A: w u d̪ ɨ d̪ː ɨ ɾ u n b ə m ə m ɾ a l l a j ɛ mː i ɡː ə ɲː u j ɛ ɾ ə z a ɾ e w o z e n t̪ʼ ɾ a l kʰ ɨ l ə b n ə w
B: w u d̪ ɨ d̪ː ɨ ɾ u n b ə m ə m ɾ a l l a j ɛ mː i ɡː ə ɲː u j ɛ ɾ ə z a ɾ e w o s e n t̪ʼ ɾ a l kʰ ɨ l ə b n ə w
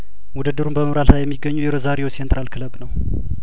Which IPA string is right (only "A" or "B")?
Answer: B